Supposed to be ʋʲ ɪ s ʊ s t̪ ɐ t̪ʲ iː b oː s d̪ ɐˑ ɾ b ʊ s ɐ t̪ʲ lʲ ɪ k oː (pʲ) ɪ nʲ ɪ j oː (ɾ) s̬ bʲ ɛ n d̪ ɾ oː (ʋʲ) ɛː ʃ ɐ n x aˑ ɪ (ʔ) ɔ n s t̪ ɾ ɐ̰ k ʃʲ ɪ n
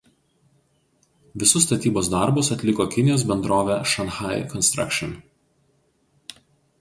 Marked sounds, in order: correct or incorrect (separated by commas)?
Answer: incorrect, incorrect, correct, incorrect